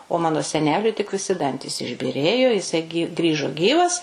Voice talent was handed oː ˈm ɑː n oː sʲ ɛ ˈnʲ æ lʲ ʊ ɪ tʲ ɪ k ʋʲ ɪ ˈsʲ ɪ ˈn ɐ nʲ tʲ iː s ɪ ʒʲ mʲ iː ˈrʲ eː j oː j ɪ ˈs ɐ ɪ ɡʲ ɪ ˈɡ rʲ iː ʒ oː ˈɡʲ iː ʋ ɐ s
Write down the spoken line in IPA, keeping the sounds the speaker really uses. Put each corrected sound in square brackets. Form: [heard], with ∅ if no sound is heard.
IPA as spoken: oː ˈm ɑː n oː sʲ ɛ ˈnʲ [æː] lʲ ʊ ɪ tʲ ɪ k ʋʲ ɪ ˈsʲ ɪ [ˈd] ɐ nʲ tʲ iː s ɪ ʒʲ [bʲ] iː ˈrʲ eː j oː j ɪ ˈs ɐ ɪ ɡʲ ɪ ˈɡ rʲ iː ʒ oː ˈɡʲ iː ʋ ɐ s